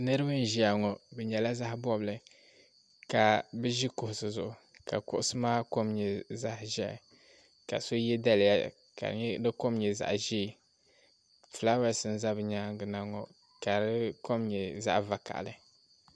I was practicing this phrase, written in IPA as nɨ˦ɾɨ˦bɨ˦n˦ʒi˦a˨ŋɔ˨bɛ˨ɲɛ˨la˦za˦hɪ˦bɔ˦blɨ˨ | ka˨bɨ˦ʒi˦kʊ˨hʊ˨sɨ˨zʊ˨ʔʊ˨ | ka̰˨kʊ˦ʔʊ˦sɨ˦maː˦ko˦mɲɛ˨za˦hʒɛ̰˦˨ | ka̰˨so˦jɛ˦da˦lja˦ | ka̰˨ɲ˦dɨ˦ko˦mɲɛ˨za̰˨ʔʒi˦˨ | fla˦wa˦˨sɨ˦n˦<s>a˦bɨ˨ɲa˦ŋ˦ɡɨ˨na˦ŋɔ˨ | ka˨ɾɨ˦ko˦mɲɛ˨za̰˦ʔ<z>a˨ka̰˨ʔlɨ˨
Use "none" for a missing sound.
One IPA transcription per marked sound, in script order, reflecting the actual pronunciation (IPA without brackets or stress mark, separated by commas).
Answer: z, v